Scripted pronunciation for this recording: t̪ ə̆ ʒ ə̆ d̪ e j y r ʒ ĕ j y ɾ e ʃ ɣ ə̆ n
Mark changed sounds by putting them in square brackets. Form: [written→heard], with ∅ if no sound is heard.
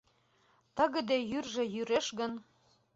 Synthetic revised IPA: t̪ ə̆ [ʒ→ɣ] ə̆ d̪ e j y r ʒ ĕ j y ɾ e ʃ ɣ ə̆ n